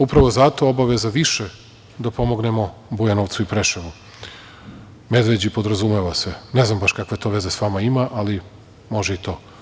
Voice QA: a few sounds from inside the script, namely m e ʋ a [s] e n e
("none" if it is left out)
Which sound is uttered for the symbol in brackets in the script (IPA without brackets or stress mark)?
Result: s